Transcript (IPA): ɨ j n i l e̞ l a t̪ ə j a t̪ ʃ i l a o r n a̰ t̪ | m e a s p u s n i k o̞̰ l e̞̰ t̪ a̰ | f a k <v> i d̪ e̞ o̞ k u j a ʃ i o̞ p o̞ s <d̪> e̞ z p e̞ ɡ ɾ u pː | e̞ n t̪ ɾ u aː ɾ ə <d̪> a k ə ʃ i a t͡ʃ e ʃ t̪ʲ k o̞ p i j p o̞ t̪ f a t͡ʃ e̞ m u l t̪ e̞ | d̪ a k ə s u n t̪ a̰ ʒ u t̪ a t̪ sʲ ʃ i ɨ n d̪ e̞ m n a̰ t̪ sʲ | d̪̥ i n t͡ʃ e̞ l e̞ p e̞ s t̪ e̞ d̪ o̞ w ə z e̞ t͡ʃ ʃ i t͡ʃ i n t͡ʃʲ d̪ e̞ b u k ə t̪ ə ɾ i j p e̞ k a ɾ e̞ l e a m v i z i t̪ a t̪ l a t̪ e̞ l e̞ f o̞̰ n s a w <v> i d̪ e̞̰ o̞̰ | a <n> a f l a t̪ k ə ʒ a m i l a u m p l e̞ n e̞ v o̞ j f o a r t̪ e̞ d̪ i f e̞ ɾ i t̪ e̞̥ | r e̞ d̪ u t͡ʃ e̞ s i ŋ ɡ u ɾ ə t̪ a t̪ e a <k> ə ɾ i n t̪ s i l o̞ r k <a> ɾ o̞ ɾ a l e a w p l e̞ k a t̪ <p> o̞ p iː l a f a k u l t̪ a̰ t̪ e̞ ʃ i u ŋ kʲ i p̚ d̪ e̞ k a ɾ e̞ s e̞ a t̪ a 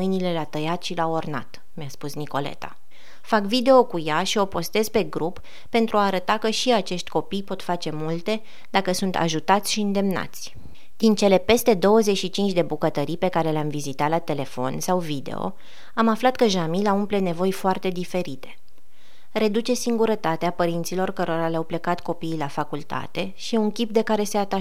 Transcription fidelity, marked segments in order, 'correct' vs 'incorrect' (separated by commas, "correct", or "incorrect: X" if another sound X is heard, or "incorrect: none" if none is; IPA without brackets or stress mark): correct, incorrect: t̪, incorrect: t̪, correct, incorrect: m, incorrect: p, incorrect: ə, incorrect: k